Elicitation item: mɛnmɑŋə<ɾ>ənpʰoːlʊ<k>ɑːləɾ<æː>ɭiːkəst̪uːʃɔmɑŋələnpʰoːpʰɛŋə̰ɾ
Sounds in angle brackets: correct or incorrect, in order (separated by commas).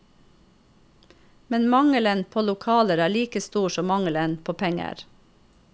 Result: incorrect, incorrect, correct